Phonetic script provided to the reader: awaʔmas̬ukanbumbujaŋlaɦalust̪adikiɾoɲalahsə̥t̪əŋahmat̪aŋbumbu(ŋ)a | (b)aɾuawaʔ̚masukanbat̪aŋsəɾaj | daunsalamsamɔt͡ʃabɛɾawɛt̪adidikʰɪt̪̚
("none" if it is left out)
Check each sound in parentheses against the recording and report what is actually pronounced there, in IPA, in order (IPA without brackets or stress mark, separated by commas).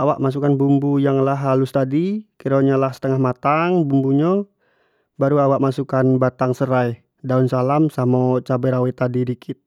ɲ, b